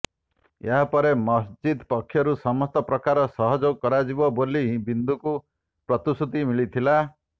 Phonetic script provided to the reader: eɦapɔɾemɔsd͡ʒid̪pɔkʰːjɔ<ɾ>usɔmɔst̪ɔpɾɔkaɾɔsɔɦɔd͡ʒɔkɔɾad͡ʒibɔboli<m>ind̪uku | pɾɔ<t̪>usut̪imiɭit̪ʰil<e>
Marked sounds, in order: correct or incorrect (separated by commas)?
correct, incorrect, correct, incorrect